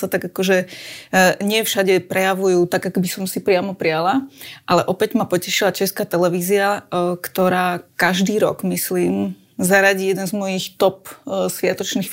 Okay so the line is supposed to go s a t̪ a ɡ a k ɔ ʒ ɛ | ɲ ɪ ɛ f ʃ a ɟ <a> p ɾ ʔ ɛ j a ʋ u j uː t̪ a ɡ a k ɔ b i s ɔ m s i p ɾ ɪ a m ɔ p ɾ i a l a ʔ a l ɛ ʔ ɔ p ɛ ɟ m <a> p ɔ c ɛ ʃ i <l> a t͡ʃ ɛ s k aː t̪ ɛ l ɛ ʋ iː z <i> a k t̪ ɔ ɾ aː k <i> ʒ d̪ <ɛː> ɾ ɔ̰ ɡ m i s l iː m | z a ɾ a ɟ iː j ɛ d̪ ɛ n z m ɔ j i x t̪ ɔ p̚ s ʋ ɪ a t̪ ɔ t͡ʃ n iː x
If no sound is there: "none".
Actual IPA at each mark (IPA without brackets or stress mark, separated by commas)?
ɛ, a, l, i, a, iː